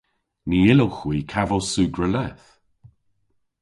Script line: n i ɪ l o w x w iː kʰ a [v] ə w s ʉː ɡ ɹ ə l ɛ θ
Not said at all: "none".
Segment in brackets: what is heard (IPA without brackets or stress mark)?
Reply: v